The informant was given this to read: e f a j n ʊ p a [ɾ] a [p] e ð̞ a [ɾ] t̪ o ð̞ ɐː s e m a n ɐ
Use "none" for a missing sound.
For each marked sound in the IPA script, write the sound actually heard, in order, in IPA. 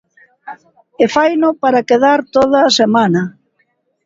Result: ɾ, k, ɾ

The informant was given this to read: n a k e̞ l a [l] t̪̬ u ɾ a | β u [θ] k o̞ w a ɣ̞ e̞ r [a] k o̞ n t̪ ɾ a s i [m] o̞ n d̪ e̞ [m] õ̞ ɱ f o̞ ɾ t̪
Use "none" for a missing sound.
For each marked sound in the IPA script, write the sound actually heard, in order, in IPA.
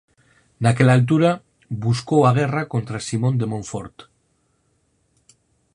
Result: l, s, a, m, m

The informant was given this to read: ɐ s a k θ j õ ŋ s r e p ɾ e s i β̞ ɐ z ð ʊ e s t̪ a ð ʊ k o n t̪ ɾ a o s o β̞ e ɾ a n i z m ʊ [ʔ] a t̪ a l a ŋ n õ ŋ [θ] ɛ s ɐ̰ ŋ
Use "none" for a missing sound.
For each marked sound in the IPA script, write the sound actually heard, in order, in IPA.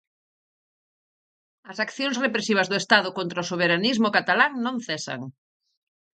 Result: k, θ

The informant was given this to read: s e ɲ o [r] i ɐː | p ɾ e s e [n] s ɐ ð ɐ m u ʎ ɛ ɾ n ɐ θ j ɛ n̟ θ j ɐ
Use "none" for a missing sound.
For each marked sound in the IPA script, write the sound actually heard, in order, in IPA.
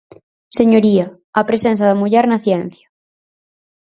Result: ɾ, n

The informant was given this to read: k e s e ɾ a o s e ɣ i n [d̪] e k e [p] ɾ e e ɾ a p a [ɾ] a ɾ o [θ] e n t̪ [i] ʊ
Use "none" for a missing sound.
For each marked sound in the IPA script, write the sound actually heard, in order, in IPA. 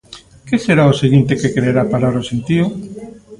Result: t̪, k, ɾ, s, i

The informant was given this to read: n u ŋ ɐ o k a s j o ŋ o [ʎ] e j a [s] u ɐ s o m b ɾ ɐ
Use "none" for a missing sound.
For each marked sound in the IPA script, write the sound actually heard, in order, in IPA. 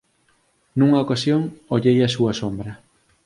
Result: ʎ, s

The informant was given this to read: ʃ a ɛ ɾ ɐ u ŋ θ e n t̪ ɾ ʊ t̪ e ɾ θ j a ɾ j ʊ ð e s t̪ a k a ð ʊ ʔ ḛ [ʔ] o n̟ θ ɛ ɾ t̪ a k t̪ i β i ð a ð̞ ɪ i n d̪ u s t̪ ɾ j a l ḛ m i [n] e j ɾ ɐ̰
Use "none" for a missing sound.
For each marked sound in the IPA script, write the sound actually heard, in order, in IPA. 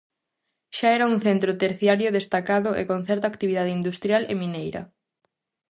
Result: k, n

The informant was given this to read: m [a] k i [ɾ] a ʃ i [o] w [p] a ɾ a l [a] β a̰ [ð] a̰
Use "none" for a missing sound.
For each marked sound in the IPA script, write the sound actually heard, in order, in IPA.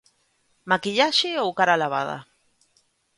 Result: a, ʎ, o, k, a, ð

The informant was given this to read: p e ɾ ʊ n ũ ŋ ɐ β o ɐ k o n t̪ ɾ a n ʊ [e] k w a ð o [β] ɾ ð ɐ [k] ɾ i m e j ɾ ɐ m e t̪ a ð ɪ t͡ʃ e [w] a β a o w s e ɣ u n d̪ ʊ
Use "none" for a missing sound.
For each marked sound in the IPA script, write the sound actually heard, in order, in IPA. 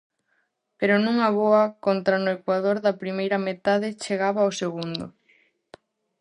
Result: e, none, p, ɣ

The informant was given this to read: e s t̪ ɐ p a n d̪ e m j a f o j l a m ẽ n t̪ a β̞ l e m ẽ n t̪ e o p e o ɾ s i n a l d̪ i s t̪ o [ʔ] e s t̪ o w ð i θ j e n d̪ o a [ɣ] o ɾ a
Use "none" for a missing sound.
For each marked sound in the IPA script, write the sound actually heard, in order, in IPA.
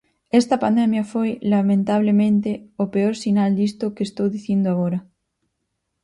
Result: k, ɣ

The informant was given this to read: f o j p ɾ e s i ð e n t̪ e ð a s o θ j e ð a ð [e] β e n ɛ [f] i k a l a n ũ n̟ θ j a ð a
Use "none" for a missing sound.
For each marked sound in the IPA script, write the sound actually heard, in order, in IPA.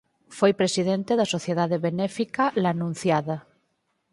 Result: e, f

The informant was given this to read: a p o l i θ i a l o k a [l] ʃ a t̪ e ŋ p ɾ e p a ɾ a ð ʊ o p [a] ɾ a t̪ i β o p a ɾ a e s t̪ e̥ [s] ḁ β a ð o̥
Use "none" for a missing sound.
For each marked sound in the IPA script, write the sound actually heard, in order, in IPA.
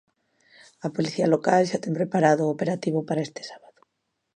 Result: l, e, s

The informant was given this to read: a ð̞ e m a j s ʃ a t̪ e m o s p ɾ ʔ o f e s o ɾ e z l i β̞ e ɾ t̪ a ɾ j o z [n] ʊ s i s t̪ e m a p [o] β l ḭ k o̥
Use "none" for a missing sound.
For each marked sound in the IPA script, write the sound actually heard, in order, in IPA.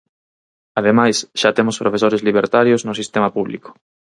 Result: n, u

